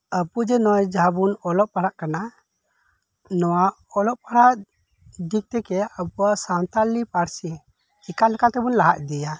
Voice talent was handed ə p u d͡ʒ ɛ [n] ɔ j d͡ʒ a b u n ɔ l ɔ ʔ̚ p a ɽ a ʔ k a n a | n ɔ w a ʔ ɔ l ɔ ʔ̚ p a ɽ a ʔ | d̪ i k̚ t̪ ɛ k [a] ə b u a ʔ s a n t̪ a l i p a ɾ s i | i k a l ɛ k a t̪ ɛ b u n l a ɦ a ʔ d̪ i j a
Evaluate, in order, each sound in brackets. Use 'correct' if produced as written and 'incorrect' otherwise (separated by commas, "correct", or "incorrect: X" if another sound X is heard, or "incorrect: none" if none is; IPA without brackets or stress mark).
correct, incorrect: ɛ